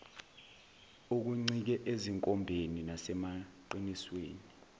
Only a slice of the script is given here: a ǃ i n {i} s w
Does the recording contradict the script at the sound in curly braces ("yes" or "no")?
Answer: no